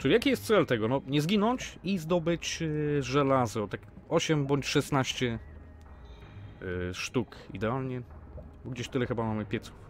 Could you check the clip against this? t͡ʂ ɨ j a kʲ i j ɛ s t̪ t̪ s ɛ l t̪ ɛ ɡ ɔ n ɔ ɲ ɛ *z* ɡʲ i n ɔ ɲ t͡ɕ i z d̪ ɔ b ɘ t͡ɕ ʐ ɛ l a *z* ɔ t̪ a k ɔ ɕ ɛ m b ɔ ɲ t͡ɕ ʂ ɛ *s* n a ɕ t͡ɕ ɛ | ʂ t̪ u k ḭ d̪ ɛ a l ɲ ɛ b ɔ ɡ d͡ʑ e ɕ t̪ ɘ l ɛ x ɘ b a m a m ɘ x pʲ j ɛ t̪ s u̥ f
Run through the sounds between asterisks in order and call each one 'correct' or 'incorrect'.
correct, correct, correct

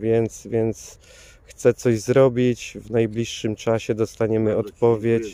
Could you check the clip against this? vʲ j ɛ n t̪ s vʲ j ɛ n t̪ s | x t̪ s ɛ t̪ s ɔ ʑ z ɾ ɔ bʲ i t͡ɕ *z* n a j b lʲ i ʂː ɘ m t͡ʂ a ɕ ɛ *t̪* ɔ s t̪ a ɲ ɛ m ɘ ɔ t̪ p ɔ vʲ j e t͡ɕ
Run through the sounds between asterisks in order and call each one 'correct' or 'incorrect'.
incorrect: v, incorrect: d̪

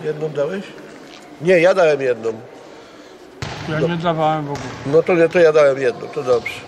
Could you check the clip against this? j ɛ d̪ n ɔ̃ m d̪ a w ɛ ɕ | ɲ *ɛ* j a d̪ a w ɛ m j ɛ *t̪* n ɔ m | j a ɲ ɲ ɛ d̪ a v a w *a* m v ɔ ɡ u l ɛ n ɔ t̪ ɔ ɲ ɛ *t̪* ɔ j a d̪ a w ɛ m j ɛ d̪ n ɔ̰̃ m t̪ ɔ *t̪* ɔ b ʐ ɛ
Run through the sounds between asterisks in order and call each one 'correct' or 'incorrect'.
correct, incorrect: d̪, incorrect: ɛ, correct, incorrect: d̪

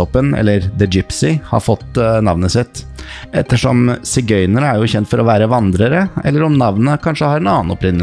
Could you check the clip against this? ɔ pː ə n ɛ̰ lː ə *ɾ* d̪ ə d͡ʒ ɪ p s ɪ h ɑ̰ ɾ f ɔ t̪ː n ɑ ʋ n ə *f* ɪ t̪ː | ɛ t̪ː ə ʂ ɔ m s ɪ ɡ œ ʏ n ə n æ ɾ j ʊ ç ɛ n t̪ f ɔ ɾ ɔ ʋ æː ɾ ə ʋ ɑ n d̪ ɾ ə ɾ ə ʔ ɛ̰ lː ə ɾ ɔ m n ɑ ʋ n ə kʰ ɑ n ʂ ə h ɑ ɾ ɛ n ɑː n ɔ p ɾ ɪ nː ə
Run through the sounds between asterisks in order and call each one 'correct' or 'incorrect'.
correct, incorrect: s

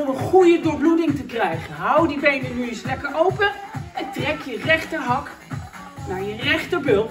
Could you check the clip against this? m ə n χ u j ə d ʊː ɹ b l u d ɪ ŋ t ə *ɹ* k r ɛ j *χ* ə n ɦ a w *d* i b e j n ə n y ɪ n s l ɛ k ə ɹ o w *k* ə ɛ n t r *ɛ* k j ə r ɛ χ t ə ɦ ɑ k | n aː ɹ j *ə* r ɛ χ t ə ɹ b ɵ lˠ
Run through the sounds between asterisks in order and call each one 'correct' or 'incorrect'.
incorrect: none, correct, correct, incorrect: p, correct, correct

